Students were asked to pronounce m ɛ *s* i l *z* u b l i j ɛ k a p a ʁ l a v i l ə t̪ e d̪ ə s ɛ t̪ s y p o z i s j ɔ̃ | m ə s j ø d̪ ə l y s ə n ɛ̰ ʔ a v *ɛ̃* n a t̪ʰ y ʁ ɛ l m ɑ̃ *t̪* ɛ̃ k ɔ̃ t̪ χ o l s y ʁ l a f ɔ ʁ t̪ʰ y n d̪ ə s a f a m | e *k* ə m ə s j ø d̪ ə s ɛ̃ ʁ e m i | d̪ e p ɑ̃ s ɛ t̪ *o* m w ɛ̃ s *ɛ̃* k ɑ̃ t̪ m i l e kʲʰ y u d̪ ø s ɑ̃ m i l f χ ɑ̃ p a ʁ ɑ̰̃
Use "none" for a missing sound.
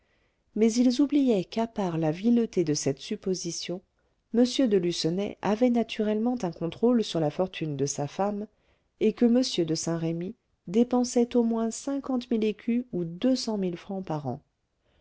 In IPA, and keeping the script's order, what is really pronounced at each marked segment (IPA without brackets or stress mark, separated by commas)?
z, z, ɛ, t̪, k, o, ɛ̃